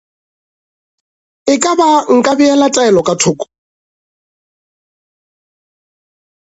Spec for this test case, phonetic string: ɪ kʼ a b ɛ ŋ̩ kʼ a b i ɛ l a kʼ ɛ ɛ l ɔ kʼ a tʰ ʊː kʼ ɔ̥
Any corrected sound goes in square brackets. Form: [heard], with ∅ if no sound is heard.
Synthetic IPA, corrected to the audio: ɪ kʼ a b [a] ŋ̩ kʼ a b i ɛ l a [tʼ] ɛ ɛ l ɔ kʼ a tʰ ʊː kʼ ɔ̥